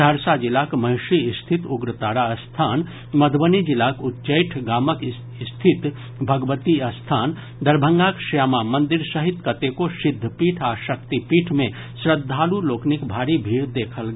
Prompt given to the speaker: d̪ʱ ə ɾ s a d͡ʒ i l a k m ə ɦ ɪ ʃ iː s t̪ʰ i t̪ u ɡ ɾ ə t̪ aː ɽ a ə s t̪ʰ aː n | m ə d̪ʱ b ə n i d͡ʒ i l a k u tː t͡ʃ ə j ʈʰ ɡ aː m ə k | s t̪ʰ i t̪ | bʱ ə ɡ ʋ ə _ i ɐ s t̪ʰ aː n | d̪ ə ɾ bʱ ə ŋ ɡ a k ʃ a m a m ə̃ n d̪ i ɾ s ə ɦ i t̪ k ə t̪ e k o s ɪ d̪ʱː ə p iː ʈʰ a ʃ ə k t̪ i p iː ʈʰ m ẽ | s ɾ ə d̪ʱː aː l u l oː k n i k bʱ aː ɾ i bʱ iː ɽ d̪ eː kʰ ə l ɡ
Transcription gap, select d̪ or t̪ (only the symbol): t̪